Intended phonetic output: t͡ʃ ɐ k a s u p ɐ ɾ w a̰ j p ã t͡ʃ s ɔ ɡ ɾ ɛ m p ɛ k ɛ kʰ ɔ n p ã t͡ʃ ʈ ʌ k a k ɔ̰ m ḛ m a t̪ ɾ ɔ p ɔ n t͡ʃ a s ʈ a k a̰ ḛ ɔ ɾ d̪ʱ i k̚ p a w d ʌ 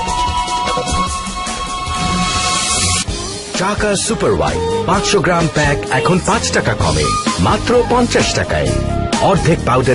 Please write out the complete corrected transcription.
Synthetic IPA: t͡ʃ a k a s u p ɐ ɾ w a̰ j p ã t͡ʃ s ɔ ɡ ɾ a m p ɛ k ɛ kʰ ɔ n p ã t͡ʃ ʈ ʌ k a k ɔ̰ m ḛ m a t̪ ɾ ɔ p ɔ n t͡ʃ a s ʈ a k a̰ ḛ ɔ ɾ d̪ʱ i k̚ p a w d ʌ